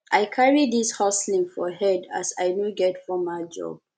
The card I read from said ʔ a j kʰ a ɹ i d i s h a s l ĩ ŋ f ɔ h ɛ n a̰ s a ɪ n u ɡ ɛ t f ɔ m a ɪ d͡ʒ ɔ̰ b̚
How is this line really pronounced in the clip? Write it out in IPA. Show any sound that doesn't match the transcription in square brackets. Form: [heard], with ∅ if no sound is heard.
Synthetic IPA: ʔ a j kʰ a ɹ i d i s h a s l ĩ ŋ f ɔ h ɛ [d] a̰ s a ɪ n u ɡ ɛ t f ɔ m a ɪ d͡ʒ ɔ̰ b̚